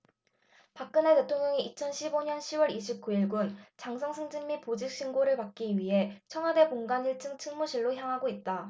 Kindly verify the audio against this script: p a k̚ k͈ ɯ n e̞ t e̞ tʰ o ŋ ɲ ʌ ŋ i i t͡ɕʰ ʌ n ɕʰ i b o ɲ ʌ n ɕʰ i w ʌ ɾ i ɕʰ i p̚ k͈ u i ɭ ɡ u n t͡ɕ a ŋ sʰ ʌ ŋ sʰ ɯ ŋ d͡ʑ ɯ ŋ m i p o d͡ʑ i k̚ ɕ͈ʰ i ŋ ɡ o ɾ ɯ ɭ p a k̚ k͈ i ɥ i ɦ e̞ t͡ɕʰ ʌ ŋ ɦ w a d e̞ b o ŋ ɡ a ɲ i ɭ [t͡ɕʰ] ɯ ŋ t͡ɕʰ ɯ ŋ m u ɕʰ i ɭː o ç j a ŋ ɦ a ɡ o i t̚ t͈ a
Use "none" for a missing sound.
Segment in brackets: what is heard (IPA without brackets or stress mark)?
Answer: t͡ɕʰ